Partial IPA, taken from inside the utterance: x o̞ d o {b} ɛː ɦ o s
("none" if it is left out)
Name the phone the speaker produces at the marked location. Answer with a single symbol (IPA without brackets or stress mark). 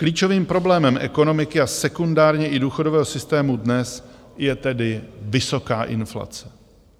v